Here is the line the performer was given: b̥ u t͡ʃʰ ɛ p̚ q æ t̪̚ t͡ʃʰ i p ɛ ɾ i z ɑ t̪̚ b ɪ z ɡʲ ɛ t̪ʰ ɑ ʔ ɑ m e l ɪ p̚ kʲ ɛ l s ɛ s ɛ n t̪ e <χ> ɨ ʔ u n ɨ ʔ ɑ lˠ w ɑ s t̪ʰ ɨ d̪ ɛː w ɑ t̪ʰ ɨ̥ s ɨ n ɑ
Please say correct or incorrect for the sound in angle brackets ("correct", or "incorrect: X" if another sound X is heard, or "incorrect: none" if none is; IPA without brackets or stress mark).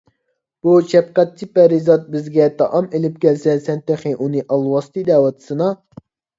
correct